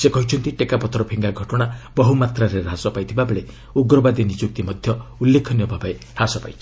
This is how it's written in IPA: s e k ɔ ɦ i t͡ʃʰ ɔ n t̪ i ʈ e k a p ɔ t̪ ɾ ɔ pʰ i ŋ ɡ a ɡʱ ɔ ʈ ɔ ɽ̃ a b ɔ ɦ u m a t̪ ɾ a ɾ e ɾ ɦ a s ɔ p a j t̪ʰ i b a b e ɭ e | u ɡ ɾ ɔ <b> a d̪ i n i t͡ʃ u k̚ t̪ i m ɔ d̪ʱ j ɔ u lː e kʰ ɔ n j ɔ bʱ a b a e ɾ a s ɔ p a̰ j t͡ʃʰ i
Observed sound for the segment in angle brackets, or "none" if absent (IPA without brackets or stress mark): b